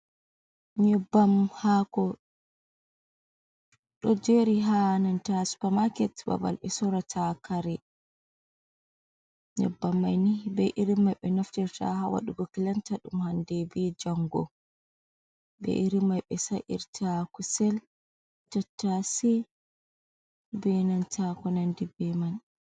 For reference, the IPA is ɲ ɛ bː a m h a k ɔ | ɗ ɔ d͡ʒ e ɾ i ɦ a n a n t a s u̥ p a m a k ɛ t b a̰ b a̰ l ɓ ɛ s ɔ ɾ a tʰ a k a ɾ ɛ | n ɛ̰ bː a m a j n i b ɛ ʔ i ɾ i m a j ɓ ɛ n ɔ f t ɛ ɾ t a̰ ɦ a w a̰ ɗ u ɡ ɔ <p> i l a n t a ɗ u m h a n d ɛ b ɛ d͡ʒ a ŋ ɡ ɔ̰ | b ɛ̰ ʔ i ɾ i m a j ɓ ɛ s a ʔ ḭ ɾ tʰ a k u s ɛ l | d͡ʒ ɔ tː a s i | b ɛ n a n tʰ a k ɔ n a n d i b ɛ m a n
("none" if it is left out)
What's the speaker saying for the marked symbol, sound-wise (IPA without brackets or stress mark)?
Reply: k